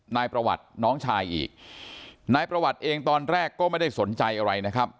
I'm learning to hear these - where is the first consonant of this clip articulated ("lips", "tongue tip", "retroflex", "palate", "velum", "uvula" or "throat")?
tongue tip